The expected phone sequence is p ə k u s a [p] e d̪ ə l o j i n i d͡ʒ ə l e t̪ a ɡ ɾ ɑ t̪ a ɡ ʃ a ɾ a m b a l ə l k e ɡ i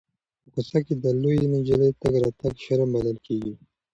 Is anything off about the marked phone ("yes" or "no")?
yes